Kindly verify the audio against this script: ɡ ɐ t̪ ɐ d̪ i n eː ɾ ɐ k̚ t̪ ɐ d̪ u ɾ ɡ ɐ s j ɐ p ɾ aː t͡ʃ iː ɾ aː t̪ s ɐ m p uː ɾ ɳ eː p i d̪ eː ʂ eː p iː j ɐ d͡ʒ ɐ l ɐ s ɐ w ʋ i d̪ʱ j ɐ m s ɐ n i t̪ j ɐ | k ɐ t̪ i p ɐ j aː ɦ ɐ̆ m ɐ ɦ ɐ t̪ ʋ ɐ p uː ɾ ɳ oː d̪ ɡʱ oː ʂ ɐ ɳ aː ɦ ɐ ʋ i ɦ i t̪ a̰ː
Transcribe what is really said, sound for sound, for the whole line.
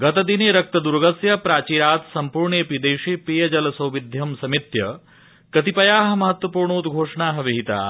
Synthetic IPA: ɡ ɐ t̪ ɐ d̪ i n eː ɾ ɐ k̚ t̪ ɐ d̪ u ɾ ɡ ɐ s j ɐ p ɾ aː t͡ʃ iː ɾ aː t̪ s ɐ m p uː ɾ ɳ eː p i d̪ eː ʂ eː p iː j ɐ d͡ʒ ɐ l ɐ s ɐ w ʋ i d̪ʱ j ɐ m s ɐ m i t̪ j ɐ | k ɐ t̪ i p ɐ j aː ɦ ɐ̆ m ɐ ɦ ɐ t̪ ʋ ɐ p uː ɾ ɳ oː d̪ ɡʱ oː ʂ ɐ ɳ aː ɦ ɐ ʋ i ɦ i t̪ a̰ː